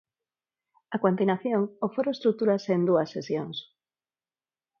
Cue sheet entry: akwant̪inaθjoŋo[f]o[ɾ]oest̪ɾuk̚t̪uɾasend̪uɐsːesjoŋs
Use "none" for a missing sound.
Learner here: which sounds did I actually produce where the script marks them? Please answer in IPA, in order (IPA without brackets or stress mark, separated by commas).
f, ɾ